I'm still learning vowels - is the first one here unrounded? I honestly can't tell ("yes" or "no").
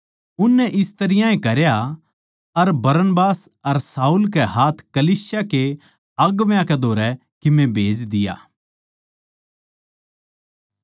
no